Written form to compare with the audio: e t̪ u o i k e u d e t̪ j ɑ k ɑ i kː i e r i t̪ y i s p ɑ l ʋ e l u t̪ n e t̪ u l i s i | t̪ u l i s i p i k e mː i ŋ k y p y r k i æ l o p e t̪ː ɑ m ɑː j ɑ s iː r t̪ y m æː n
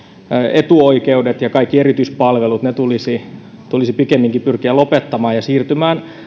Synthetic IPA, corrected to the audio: e t̪ u o i k e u d e t̪ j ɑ k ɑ i kː i e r i t̪ y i s p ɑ l ʋ e l u t̪ n e t̪ u l i s i | t̪ u l i s i p i k e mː i ŋ k i p y r k i æ l o p e t̪ː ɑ m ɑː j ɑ s iː r t̪ y m æː n